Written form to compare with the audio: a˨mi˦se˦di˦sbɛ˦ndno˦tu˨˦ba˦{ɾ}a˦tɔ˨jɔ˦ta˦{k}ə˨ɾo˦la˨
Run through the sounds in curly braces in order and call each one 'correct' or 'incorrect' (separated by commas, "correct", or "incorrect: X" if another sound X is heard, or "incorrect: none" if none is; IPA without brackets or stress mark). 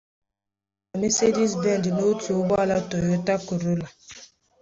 incorrect: l, correct